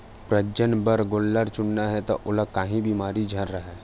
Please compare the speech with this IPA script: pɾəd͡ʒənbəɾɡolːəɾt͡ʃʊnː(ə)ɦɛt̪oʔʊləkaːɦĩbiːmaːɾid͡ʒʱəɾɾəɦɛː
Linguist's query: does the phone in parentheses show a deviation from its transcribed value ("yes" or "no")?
yes